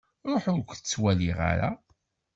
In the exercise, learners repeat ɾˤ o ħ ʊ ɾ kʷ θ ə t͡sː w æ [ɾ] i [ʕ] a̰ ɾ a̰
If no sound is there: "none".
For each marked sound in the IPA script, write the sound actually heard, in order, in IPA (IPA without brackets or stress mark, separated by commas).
l, ʁ